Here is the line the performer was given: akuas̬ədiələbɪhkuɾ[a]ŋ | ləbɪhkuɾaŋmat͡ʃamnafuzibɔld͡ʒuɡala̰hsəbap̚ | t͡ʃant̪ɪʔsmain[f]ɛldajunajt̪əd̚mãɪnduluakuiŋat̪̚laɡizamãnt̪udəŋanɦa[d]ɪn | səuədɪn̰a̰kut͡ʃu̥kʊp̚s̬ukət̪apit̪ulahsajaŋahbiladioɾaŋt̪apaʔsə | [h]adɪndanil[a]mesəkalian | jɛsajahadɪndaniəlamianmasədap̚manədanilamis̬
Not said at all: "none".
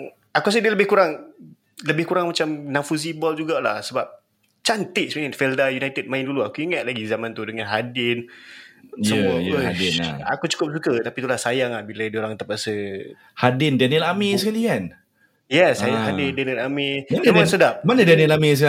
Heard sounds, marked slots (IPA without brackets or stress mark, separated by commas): a, f, d, h, a